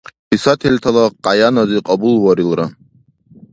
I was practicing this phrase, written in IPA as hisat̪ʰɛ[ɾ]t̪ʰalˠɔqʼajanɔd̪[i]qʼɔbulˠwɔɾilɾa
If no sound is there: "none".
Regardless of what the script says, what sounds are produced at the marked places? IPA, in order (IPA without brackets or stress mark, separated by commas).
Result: l, i